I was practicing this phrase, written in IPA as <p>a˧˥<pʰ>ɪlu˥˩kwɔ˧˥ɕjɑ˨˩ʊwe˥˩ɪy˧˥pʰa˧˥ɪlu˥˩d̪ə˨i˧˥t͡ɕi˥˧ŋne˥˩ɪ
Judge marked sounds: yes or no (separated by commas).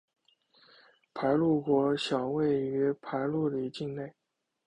no, no